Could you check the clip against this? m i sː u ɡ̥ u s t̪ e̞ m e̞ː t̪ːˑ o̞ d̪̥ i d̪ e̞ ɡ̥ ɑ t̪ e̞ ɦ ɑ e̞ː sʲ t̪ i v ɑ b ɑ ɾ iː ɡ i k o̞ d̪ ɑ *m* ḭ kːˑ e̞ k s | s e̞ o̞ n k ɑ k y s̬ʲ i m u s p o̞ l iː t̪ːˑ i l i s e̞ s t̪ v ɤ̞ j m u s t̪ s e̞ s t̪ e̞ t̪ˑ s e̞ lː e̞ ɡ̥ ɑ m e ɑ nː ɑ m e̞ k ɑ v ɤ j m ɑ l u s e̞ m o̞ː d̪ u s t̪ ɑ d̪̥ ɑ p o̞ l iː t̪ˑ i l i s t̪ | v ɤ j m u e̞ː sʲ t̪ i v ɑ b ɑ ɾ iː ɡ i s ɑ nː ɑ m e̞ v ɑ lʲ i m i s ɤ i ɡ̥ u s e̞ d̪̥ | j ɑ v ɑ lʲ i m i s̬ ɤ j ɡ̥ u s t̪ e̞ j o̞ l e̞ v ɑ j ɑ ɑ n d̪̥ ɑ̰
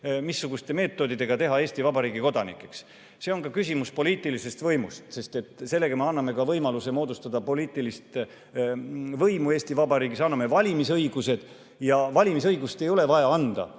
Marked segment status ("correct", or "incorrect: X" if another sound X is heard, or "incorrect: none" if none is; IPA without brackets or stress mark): incorrect: n